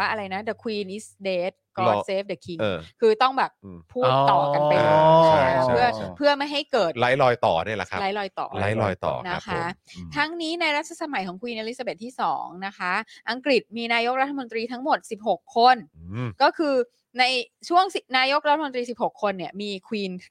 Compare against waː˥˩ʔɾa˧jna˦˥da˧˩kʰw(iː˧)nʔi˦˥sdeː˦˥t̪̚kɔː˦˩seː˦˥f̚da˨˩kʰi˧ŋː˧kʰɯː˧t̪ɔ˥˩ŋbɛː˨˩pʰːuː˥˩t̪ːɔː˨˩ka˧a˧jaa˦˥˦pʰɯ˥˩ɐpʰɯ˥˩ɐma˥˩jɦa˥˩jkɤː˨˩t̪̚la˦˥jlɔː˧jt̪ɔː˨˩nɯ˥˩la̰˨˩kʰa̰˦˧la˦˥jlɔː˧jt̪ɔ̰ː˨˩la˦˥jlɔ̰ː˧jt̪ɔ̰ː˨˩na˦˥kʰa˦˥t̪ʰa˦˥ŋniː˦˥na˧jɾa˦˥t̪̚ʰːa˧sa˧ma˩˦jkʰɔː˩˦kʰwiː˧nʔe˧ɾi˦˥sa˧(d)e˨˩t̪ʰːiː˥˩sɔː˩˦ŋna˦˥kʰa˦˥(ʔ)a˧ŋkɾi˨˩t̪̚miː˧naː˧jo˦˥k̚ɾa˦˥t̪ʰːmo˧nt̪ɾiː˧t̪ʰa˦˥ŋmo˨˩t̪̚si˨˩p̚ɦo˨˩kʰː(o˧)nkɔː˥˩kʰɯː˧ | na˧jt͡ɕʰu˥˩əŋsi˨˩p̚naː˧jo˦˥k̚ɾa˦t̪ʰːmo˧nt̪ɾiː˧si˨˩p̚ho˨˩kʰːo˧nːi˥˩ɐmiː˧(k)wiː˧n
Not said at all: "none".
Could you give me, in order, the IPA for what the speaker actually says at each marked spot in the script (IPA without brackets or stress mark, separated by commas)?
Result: iː˧, b, ʔ, o˧, kʰ